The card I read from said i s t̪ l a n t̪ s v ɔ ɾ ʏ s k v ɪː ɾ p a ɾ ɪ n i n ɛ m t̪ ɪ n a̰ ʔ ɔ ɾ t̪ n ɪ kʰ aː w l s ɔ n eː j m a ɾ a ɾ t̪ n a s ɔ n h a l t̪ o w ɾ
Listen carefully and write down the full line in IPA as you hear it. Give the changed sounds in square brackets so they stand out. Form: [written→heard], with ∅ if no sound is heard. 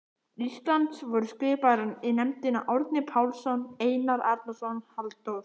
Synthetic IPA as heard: i s t̪ l a n t̪ s v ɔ ɾ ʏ s k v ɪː [ɾ→∅] p a ɾ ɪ n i n ɛ m t̪ ɪ n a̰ ʔ ɔ ɾ t̪ n ɪ [kʰ→pʰ] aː w l s ɔ n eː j [m→n] a ɾ a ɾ t̪ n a s ɔ n h a l t̪ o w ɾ